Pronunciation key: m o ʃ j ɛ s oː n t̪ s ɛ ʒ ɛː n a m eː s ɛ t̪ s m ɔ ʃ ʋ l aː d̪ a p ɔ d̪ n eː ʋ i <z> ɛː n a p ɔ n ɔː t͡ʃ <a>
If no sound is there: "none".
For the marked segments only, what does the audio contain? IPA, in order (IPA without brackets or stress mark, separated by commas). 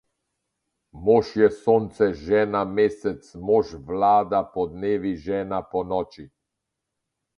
ʒ, i